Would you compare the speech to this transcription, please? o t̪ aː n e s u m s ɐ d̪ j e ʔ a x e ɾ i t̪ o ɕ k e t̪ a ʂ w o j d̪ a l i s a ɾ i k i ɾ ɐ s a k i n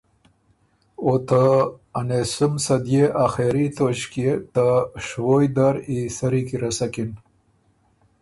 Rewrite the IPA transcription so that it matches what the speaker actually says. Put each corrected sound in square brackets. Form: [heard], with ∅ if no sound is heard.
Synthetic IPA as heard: o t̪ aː n e s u m s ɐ d̪ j e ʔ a x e ɾ i t̪ o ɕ k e t̪ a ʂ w o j d̪ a [ɾ] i s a ɾ i k i ɾ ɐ s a k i n